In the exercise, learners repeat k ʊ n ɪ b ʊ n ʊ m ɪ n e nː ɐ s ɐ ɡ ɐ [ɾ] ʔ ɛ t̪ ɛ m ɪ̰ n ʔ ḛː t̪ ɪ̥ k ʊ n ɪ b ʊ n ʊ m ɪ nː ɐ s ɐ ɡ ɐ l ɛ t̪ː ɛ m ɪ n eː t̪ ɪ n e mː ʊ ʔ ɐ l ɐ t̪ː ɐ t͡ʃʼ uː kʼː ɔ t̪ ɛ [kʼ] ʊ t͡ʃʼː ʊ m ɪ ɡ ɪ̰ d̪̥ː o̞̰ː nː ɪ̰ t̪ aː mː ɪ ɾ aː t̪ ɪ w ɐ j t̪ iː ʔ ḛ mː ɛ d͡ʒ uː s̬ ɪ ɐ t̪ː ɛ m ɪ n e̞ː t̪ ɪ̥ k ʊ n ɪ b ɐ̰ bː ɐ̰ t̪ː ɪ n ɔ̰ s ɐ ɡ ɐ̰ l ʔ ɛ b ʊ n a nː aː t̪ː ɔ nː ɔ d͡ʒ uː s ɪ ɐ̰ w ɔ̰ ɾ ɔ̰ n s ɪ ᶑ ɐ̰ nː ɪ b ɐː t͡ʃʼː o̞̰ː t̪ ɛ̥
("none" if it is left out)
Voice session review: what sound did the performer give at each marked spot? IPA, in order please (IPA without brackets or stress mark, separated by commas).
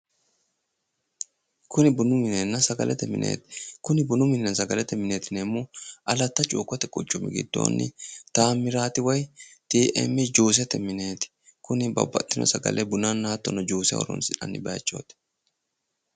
l, kʼ